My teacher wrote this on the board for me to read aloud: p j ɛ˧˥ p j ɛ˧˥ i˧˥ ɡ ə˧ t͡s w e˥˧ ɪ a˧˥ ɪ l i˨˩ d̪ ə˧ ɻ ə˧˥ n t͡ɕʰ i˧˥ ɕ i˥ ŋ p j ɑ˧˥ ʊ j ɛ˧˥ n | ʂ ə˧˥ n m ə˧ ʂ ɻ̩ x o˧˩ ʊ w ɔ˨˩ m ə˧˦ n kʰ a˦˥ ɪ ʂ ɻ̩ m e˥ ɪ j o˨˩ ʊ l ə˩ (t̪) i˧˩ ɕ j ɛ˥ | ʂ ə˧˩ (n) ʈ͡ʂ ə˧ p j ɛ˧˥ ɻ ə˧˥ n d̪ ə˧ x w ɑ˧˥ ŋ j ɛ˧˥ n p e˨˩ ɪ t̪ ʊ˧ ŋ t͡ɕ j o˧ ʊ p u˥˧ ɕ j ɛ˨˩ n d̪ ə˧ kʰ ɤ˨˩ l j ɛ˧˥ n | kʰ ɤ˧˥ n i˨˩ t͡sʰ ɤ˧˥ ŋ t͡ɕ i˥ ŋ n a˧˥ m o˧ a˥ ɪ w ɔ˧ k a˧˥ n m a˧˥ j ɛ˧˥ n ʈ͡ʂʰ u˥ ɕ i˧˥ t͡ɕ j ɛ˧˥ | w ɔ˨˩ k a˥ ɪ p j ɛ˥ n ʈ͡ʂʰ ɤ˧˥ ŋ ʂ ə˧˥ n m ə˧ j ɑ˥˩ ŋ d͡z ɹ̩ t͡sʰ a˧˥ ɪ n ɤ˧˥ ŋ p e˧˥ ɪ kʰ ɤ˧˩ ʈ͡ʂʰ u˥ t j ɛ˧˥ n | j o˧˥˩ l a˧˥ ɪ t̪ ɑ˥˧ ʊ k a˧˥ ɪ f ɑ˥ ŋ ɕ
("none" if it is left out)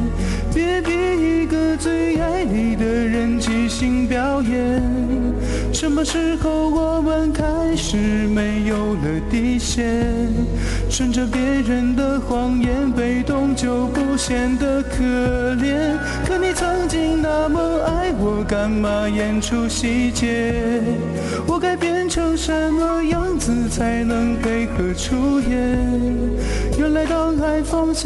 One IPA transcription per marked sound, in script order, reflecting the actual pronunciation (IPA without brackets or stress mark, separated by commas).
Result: t̪, n